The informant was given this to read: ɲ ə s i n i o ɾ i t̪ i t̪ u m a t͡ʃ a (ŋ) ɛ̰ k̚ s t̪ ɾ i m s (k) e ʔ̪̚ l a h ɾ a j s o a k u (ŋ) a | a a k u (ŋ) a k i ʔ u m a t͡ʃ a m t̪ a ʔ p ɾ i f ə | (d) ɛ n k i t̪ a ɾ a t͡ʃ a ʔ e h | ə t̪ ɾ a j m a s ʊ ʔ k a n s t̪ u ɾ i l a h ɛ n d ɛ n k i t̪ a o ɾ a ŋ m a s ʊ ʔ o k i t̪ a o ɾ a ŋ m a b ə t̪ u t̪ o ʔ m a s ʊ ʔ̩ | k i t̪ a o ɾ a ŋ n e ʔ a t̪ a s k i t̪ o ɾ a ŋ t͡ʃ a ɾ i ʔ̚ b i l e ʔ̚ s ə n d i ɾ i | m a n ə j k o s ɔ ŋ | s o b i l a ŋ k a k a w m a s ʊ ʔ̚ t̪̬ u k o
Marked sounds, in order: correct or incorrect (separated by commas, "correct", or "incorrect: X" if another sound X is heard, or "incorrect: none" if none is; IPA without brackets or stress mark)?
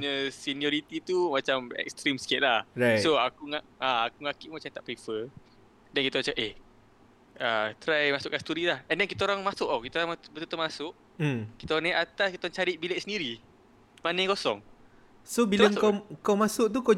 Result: incorrect: m, correct, correct, correct, correct